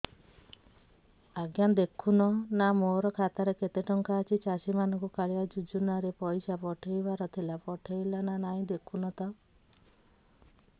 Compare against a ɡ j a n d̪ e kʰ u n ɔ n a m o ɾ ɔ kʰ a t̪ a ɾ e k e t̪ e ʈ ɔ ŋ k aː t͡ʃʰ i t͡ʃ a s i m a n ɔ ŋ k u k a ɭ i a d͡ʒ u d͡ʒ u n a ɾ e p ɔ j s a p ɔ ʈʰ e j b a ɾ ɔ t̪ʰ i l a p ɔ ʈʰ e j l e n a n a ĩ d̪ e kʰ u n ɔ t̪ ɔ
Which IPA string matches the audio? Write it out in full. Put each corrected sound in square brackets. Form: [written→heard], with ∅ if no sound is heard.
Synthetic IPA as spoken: a ɡ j a n d̪ e kʰ u n ɔ n a m o ɾ ɔ kʰ a t̪ a ɾ e k e t̪ e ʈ ɔ ŋ k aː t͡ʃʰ i t͡ʃ a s i m a n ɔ ŋ k u k a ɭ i a d͡ʒ u d͡ʒ u n a ɾ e p ɔ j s a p ɔ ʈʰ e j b a ɾ ɔ t̪ʰ i l a p ɔ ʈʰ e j l [e→a] n a n a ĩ d̪ e kʰ u n ɔ t̪ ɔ